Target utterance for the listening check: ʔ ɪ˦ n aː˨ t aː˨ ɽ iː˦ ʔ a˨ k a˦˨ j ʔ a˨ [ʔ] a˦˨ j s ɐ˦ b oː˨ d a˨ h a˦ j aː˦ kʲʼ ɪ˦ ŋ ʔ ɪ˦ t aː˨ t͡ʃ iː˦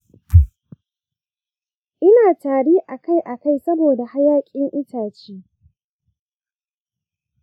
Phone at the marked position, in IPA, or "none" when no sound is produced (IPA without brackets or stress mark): k